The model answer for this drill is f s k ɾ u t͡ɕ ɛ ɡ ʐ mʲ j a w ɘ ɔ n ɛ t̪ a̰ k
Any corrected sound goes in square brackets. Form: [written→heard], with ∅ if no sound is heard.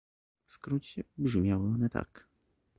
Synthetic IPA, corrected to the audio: f s k ɾ u t͡ɕ ɛ [ɡ→b] ʐ mʲ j a w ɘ ɔ n ɛ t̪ a̰ k